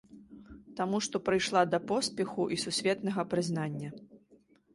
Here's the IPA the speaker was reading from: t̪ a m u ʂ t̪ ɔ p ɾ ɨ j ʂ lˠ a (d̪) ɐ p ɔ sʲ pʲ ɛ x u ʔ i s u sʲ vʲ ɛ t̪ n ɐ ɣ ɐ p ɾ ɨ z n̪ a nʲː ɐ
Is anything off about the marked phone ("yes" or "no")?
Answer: no